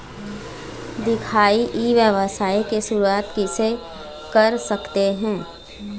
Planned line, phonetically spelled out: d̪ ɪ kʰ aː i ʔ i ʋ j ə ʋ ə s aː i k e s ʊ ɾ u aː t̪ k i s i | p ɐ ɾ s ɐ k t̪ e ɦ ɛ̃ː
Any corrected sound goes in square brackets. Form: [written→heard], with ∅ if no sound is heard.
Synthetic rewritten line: d̪ ɪ kʰ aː i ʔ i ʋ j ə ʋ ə s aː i k e s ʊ ɾ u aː t̪ k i s [i→e] | [p→k] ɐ ɾ s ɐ k t̪ e ɦ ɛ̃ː